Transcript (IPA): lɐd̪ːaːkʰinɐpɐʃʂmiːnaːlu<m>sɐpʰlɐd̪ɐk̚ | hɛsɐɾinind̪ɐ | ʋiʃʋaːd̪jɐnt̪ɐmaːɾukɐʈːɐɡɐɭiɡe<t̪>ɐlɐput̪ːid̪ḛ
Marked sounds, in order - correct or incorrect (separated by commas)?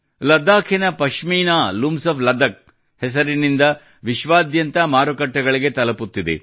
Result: correct, correct